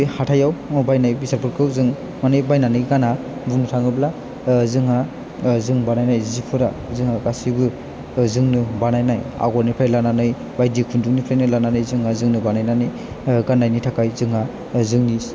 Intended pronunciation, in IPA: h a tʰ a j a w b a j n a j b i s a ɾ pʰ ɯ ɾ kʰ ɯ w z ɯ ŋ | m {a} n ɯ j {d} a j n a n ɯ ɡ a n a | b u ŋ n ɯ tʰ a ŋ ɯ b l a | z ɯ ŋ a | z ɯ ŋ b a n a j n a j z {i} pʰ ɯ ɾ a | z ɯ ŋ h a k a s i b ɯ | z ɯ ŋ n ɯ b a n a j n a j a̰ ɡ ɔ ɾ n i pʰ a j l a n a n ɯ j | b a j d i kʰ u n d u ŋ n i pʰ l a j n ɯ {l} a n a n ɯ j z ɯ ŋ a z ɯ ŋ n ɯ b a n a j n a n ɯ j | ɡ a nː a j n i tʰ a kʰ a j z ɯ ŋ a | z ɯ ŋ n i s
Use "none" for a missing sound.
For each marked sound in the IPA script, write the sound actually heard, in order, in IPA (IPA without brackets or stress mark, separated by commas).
a, b, i, l